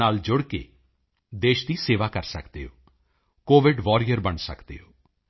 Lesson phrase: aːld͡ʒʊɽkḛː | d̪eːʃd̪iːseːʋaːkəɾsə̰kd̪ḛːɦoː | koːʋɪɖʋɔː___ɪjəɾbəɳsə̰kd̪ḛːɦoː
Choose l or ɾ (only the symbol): ɾ